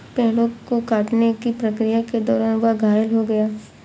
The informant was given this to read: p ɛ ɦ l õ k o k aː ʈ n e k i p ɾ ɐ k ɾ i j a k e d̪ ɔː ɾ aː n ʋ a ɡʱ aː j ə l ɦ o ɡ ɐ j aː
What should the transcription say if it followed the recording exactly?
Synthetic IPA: p ɛ ɦ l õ k o k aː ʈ n e k i p ɾ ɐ k ɾ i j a k e d̪ ɔː ɾ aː n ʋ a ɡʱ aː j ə l ɦ o ɡ ɐ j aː